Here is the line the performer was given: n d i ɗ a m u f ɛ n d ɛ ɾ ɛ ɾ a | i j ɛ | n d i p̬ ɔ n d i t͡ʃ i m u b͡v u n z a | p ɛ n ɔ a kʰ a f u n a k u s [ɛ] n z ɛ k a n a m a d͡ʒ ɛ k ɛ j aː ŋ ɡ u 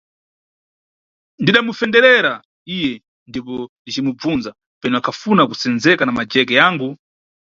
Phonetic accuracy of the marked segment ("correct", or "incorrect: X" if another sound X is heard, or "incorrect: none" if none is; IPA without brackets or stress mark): correct